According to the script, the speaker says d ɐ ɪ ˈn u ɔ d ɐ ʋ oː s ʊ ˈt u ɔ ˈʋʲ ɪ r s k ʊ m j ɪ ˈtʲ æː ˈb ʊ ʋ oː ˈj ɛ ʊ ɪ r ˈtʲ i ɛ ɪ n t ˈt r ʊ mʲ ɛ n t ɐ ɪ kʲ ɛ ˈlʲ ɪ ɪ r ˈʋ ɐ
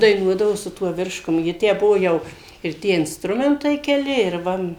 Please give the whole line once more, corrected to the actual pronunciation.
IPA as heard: d ɐ ɪ ˈn u ɔ d ɐ ʋ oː s ʊ ˈt u ɔ ˈʋʲ ɪ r ʃ k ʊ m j ɪ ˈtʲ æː ˈb ʊ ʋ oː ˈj ɛ ʊ ɪ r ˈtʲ i ɛ ɪ n s ˈt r ʊ mʲ ɛ n t ɐ ɪ kʲ ɛ ˈlʲ ɪ ɪ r ˈʋ ɐ